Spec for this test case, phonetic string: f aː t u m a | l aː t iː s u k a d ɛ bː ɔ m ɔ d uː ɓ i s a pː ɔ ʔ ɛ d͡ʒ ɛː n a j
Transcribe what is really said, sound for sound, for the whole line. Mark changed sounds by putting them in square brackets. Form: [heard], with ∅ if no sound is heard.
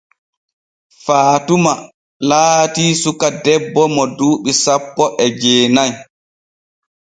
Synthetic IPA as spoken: f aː t u m a | l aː t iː s u k a d ɛ bː ɔ m ɔ d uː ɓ i s a pː ɔ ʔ ɛ d͡ʒ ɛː n a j

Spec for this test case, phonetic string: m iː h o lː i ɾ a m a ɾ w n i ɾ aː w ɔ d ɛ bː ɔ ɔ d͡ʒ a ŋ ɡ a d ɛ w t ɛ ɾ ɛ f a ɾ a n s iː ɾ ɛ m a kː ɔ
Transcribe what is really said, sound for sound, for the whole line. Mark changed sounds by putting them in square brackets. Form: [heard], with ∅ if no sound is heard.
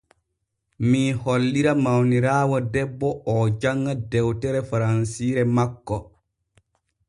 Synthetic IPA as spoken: m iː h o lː i ɾ a m a [∅] w n i ɾ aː w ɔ d ɛ bː ɔ ɔ d͡ʒ a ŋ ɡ a d ɛ w t ɛ ɾ ɛ f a ɾ a n s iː ɾ ɛ m a kː ɔ

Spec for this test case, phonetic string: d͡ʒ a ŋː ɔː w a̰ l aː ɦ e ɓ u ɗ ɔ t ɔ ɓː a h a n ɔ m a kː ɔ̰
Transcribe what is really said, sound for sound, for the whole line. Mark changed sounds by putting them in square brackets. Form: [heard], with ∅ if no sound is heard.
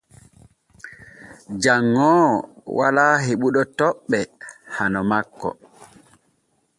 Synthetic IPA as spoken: d͡ʒ a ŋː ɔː w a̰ l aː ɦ e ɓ u ɗ ɔ t ɔ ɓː [ɛ] h a n ɔ m a kː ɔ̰

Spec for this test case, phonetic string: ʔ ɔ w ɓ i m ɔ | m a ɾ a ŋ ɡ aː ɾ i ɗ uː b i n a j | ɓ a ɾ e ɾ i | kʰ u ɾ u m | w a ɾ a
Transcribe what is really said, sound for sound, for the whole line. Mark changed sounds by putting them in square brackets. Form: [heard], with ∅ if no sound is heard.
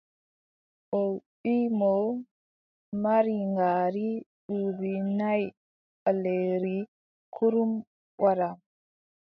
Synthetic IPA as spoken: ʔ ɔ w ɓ i m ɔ | m a ɾ [i] ŋ ɡ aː ɾ i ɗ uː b i n a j | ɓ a [l] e ɾ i | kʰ u ɾ u m | w a ɾ a

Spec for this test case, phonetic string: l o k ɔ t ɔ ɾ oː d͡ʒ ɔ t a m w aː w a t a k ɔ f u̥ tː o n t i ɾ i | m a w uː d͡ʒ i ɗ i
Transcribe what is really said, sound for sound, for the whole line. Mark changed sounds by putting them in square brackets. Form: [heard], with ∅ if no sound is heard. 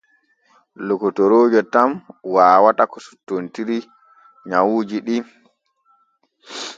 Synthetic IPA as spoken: l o k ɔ t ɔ ɾ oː d͡ʒ ɔ t a m w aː w a t a k ɔ [s] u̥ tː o n t i ɾ i | [ɲ] a w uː d͡ʒ i ɗ i

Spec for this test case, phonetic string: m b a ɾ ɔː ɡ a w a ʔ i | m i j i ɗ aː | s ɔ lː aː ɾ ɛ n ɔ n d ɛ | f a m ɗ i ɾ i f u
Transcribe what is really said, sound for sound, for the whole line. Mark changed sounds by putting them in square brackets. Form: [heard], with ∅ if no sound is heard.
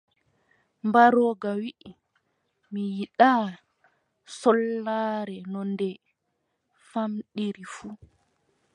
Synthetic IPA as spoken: m b a ɾ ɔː ɡ a w [i] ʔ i | m i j i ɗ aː | s ɔ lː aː ɾ ɛ n ɔ n d ɛ | f a m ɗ i ɾ i f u

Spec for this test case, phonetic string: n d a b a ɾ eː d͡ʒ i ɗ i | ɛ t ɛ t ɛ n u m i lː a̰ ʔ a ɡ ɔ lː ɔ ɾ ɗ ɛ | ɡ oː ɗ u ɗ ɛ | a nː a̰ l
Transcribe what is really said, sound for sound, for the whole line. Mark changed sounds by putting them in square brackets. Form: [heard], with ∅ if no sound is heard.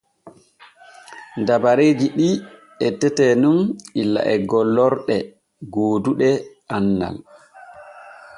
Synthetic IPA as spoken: n d a b a ɾ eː d͡ʒ i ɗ i | ɛ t ɛ t ɛ n u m i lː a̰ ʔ [ɛ] ɡ ɔ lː ɔ ɾ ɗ ɛ | ɡ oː [d] u ɗ ɛ | a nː a̰ l

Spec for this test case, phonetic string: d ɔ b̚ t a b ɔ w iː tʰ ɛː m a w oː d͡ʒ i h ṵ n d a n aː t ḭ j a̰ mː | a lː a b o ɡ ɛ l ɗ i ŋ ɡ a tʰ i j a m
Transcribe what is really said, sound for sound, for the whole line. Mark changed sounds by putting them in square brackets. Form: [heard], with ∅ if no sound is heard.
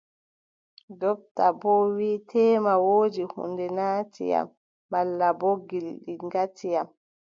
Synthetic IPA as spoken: d ɔ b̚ t a b ɔ w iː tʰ ɛː m a w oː d͡ʒ i h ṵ n d [ɛ] n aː t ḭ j a̰ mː | a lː a b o ɡ [i] l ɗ i ŋ ɡ a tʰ i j a m

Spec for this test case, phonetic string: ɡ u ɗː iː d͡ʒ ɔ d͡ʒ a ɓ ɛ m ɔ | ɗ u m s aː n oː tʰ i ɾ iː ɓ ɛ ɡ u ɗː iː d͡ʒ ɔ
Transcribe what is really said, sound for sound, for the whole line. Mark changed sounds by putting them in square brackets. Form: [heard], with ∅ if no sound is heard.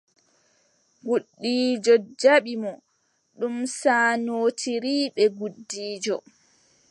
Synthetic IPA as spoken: ɡ u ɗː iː d͡ʒ ɔ d͡ʒ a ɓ [i] m ɔ | ɗ u m s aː n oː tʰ i ɾ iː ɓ ɛ ɡ u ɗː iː d͡ʒ ɔ

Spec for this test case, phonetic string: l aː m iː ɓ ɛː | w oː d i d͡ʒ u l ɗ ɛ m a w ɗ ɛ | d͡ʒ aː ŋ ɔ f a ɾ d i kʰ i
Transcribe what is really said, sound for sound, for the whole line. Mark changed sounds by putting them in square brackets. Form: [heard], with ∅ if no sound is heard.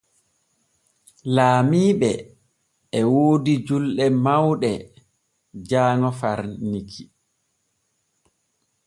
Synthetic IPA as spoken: l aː m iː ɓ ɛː | w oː d i d͡ʒ u l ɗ ɛ m a w ɗ ɛ | d͡ʒ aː ŋ ɔ f a ɾ [n] i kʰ i

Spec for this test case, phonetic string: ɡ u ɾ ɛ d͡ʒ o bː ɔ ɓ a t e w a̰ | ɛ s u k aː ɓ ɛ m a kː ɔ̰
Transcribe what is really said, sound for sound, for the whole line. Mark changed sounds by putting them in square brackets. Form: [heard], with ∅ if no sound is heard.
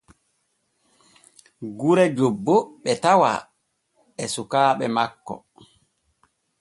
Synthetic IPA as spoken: ɡ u ɾ ɛ d͡ʒ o bː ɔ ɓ [ɛ] t [a] w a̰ | ɛ s u k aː ɓ ɛ m a kː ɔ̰

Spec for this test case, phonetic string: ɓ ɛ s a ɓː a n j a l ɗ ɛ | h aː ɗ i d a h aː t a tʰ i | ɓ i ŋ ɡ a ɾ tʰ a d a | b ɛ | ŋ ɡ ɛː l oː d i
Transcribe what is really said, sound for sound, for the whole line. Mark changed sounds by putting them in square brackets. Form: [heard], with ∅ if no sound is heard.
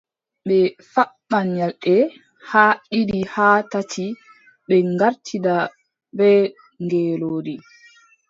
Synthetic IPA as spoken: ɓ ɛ [f] a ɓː a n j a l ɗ ɛ | h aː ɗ i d [i] h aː t a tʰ i | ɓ [ɛ] ŋ ɡ a ɾ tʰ [i] d a | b ɛ | ŋ ɡ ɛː l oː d i

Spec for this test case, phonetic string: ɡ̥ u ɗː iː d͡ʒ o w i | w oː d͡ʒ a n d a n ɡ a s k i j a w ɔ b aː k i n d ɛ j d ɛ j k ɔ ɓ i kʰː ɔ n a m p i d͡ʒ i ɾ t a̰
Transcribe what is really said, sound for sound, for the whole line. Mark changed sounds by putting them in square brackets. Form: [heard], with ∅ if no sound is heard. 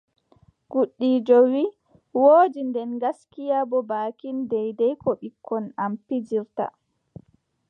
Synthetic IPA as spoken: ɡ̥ u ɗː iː d͡ʒ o w i | w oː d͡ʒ [i] n d [ɛ] n ɡ a s k i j a [b] ɔ b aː k i n d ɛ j d ɛ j k ɔ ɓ i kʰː ɔ n a m p i d͡ʒ i ɾ t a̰

